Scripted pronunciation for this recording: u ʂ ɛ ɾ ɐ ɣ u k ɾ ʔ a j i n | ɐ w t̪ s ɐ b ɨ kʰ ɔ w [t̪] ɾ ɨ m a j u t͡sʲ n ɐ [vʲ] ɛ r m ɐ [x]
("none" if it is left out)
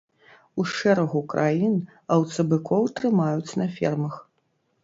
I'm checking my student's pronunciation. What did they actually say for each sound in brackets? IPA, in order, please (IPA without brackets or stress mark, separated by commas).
t̪, fʲ, x